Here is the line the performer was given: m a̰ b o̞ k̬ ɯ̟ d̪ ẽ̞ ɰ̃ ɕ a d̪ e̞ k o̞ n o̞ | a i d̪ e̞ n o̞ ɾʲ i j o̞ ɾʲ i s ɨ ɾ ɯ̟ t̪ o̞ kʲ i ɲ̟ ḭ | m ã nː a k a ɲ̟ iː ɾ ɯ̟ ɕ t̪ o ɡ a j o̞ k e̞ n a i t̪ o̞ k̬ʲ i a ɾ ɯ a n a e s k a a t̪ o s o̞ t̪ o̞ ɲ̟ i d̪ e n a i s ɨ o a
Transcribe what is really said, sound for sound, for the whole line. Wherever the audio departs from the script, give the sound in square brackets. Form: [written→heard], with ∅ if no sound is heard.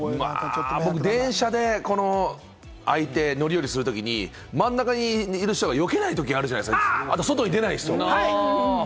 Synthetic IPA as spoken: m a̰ b o̞ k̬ ɯ̟ d̪ ẽ̞ ɰ̃ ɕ a d̪ e̞ k o̞ n o̞ | a i [d̪→t̪] e̞ n o̞ ɾʲ i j o̞ ɾʲ i s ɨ ɾ ɯ̟ t̪ o̞ kʲ i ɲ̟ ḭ | m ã nː a k a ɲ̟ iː ɾ ɯ̟ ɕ t̪ o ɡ a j o̞ k e̞ n a i t̪ o̞ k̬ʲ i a ɾ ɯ a n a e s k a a t̪ o s o̞ t̪ o̞ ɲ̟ i d̪ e n a i s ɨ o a